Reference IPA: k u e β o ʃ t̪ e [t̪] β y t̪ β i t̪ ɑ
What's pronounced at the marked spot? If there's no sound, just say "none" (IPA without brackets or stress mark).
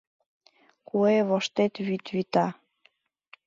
t̪